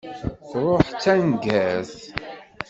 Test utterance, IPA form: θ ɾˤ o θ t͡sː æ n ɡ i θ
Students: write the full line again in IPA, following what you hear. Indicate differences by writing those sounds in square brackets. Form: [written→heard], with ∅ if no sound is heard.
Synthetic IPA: θ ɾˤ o [θ→ħ] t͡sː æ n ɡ [i→æ] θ